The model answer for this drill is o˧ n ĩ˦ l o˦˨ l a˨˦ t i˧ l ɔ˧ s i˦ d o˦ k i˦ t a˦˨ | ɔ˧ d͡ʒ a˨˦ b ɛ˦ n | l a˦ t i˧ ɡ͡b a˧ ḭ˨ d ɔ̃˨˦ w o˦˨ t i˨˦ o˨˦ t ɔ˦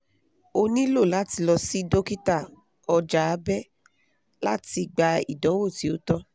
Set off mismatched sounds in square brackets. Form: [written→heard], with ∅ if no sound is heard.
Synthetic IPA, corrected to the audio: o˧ n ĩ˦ l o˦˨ l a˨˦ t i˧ l ɔ˧ s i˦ d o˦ k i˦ t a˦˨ | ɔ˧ d͡ʒ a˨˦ b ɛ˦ [n→∅] | l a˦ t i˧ ɡ͡b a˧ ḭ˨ d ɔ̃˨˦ w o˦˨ t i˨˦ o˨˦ t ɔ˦